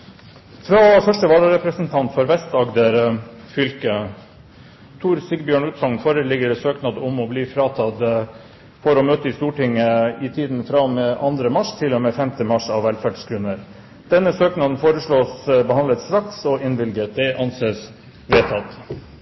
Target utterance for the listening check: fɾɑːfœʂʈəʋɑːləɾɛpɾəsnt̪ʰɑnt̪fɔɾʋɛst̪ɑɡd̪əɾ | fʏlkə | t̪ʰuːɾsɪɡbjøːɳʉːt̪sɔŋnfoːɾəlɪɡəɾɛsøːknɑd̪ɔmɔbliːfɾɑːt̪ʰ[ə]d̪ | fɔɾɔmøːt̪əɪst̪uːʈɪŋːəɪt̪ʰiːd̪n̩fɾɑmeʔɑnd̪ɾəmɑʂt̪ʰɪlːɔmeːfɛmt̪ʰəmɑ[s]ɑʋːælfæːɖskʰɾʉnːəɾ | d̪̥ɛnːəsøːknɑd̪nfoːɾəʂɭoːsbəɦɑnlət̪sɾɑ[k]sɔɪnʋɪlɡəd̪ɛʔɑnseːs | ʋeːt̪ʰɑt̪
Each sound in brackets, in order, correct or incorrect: incorrect, incorrect, correct

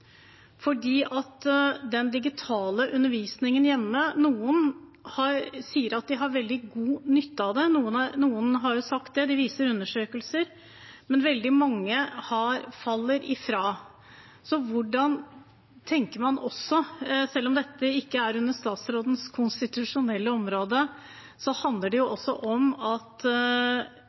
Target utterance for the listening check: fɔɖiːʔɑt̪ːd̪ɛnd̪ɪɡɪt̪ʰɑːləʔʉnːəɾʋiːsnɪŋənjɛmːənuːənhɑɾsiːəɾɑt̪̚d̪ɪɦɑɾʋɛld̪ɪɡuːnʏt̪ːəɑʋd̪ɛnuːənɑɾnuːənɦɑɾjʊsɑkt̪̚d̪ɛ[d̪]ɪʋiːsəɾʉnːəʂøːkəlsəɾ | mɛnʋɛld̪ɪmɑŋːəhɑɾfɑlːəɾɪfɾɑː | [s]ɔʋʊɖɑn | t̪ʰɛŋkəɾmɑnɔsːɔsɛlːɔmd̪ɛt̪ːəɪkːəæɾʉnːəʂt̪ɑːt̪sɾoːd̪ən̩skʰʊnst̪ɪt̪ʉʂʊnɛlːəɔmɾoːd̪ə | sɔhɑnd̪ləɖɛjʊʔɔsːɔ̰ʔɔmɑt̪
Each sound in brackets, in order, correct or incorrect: correct, correct

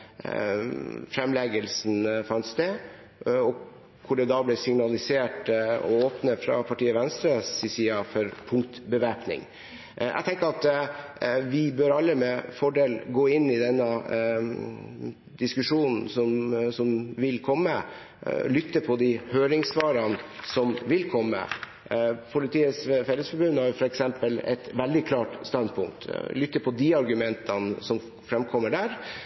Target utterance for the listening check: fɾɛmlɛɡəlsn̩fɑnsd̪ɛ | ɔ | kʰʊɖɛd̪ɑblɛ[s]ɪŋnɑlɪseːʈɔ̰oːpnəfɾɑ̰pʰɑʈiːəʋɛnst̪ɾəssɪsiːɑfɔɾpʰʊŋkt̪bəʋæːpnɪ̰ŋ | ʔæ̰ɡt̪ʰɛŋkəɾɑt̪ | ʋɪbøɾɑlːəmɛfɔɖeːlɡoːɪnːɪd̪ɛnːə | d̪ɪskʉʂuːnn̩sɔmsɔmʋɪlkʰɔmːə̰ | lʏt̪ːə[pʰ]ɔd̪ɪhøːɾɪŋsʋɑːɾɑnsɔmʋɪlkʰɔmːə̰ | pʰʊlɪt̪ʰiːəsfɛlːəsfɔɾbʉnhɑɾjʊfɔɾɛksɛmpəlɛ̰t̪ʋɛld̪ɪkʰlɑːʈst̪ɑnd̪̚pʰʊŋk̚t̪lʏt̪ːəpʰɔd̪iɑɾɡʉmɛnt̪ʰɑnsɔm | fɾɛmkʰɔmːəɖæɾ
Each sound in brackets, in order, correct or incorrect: correct, correct

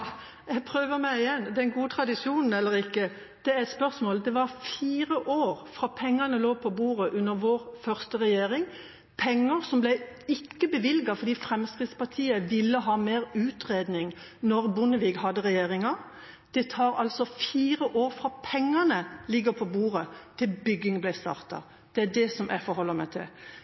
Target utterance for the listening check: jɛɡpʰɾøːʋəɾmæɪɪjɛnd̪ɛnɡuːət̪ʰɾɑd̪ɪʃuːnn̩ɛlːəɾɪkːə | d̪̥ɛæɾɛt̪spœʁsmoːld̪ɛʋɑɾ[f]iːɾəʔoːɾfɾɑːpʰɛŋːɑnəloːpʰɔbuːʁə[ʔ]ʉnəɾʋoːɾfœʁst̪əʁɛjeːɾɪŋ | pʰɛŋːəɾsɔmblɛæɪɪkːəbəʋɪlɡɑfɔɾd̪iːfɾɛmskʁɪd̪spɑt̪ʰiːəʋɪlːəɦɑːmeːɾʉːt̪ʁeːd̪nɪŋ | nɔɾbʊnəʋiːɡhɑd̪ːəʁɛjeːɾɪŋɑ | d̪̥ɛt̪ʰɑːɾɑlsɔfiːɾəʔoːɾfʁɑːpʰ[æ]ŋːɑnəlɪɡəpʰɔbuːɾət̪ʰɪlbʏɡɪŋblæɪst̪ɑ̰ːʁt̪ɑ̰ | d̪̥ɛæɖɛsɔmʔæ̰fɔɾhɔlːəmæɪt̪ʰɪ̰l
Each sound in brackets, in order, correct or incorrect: correct, correct, incorrect

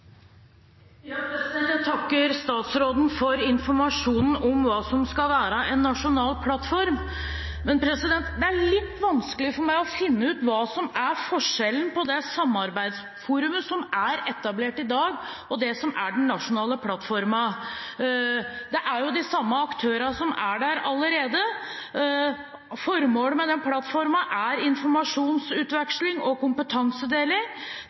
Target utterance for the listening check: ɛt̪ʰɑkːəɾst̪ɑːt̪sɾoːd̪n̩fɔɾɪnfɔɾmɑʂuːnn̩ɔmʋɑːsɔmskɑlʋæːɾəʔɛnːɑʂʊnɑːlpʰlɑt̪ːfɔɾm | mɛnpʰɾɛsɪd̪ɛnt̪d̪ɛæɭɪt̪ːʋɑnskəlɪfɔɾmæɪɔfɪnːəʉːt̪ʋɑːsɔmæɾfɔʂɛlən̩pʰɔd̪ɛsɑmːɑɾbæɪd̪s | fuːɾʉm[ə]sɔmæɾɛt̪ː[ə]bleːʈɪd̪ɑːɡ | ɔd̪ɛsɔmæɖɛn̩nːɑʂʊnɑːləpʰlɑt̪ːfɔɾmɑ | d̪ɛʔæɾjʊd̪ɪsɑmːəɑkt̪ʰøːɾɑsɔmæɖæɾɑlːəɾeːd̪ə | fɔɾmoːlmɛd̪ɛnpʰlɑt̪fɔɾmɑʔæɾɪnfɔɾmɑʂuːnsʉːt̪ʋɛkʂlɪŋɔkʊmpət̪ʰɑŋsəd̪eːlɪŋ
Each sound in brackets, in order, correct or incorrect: correct, incorrect

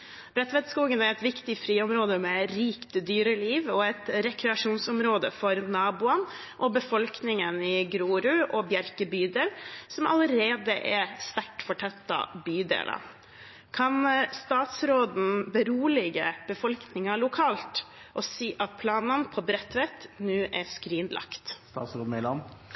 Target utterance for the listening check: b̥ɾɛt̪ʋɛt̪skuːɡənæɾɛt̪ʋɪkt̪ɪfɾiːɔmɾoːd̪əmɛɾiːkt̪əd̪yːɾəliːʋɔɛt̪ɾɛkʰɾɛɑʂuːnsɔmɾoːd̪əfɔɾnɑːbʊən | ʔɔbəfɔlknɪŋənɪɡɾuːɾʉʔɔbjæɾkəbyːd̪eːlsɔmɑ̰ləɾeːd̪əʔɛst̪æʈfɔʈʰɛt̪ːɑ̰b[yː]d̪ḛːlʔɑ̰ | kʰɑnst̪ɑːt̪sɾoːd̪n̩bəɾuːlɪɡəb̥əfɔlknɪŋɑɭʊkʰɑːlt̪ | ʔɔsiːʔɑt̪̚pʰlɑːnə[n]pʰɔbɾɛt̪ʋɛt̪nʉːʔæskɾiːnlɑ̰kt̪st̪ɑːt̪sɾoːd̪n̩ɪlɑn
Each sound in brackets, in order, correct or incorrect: correct, correct

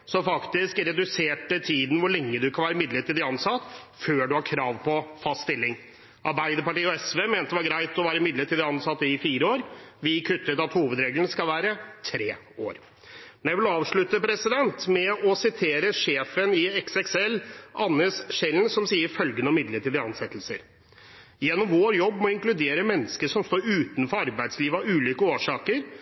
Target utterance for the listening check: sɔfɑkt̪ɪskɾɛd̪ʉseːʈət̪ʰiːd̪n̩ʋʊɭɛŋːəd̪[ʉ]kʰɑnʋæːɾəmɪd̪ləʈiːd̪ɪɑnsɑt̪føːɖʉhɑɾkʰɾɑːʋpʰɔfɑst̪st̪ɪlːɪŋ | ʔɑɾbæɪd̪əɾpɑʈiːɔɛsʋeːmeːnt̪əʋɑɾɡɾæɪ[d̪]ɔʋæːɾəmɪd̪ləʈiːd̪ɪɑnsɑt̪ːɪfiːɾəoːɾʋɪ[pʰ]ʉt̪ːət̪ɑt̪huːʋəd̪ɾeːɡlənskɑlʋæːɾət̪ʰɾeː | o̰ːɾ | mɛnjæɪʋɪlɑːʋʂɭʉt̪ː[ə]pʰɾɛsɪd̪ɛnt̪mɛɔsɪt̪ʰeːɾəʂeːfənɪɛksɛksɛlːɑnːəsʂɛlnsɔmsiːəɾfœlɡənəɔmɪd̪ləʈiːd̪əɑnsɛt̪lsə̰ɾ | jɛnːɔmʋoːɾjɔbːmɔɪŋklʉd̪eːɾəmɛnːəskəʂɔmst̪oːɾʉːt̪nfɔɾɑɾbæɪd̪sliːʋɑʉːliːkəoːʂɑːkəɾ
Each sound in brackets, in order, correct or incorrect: correct, incorrect, incorrect, correct

